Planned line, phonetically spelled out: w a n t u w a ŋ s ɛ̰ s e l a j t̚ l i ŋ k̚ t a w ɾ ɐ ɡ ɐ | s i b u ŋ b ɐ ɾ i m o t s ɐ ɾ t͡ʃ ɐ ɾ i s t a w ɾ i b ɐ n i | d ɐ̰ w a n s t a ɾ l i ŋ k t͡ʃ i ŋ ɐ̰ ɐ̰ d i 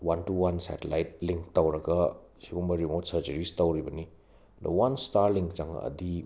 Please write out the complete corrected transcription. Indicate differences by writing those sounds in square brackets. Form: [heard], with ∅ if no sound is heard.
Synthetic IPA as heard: w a n t u w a [n] s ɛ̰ [t] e l a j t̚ l i ŋ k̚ t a w ɾ ɐ ɡ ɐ | s i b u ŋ b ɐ ɾ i m o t s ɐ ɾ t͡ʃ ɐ ɾ i s t a w ɾ i b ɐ n i | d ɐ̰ w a n s t a ɾ l i ŋ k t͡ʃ [a] ŋ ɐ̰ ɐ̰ d i